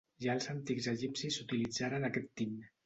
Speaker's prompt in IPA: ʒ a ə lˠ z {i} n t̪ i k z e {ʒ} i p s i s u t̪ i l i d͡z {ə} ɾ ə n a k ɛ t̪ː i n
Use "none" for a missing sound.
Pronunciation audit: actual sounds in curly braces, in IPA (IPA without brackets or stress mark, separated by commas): a, ʒ, a